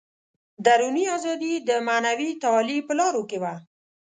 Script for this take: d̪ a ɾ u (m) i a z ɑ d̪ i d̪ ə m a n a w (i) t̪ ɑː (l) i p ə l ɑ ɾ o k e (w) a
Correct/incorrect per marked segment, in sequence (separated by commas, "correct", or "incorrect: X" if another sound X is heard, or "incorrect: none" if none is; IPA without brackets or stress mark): incorrect: n, correct, correct, correct